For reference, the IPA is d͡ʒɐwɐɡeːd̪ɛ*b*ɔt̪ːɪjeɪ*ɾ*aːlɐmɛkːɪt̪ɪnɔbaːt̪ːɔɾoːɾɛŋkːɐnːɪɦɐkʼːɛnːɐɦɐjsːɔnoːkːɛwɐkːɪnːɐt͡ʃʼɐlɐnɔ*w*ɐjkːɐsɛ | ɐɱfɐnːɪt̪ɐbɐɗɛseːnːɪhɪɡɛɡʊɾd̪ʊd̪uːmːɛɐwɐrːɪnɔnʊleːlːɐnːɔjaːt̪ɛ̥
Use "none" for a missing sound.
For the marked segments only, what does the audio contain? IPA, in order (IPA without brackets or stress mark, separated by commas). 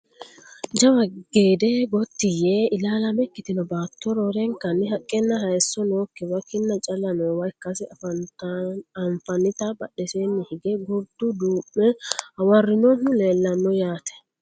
ɡ, l, w